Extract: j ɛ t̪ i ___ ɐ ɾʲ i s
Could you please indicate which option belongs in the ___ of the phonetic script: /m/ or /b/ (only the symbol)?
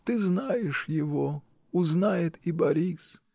b